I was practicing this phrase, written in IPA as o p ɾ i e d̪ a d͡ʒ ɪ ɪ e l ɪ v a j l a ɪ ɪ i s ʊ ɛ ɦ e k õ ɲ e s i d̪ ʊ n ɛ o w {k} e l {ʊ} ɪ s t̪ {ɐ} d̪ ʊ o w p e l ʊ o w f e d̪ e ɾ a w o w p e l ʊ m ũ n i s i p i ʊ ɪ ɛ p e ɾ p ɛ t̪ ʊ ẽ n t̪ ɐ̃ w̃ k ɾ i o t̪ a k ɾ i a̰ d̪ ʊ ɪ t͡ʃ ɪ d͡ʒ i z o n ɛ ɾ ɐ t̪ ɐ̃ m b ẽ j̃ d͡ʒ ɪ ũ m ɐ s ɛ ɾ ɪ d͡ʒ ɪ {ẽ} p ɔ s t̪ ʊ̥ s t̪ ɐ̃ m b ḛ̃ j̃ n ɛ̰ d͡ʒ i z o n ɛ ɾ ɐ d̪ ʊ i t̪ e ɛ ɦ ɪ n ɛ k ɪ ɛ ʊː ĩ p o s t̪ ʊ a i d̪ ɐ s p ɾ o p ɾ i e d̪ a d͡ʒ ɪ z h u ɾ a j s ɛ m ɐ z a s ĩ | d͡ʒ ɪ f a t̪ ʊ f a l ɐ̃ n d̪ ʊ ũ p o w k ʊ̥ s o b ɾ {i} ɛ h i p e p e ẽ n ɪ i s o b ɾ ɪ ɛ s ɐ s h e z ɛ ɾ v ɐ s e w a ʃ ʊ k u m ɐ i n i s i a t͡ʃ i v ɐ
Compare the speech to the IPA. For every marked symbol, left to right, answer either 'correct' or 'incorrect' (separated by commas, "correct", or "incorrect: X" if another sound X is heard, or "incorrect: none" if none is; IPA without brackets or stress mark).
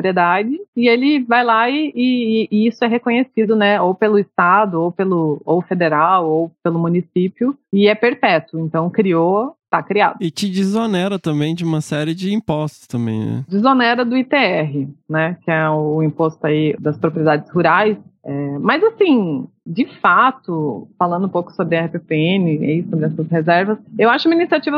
incorrect: p, correct, incorrect: a, incorrect: ĩ, incorrect: ɪ